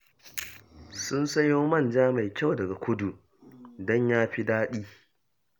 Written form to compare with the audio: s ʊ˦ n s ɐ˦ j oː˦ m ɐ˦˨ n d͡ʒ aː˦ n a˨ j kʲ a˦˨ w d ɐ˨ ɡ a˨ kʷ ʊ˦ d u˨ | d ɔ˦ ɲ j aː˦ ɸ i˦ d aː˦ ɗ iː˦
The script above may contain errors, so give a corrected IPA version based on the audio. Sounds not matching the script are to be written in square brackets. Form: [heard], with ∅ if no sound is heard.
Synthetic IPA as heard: s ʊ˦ n s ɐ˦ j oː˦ m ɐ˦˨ n d͡ʒ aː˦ [m] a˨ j kʲ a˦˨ w d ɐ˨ ɡ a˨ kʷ ʊ˦ d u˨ | d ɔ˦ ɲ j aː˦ ɸ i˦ d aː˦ ɗ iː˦